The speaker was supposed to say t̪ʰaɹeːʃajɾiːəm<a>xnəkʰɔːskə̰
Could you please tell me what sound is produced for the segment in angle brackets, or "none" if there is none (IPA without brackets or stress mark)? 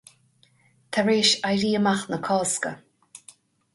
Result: a